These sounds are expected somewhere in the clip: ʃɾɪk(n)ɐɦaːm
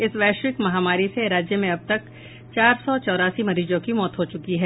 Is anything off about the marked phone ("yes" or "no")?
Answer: yes